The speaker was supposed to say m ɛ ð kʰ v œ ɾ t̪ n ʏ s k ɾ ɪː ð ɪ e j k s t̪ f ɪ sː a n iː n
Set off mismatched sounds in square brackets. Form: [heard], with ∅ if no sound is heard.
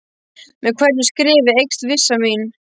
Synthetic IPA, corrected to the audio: m ɛ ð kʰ v [ɛ] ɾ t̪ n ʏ s k ɾ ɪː [v] ɪ e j k s t̪ [v] ɪ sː a [m] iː n